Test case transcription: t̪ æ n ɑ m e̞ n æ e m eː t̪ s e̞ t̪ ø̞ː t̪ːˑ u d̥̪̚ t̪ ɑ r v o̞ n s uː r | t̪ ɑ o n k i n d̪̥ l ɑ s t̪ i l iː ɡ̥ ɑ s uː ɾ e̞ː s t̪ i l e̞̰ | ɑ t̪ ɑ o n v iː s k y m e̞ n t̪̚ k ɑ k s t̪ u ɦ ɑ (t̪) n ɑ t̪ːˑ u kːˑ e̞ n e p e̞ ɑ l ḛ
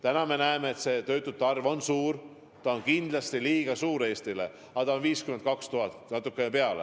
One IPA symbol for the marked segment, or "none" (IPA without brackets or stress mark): t̪